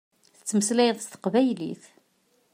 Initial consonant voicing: voiceless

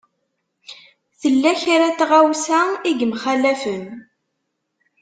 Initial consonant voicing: voiceless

